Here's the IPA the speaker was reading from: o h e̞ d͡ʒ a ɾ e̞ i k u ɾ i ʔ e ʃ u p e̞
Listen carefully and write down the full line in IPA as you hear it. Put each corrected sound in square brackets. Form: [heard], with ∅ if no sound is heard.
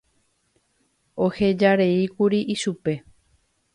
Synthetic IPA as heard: o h e̞ d͡ʒ a ɾ e̞ i k u ɾ i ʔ [i] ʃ u p e̞